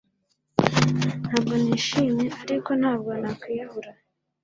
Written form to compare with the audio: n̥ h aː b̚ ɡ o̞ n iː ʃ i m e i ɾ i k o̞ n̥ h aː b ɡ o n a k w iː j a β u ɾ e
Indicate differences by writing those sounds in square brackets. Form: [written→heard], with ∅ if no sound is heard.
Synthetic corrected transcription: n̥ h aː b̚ ɡ o̞ n iː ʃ i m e [i→a] ɾ i k o̞ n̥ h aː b ɡ o n a k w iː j a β u ɾ [e→a]